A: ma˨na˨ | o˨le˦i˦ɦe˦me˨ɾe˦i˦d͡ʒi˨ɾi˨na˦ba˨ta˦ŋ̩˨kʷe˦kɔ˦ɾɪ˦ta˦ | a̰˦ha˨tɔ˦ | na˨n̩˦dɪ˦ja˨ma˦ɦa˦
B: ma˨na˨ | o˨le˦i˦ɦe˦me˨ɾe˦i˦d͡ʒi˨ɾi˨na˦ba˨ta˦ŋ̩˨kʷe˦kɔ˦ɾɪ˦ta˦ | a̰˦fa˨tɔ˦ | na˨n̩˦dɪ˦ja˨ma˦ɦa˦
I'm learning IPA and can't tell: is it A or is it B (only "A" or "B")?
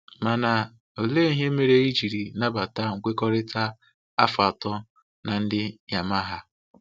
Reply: B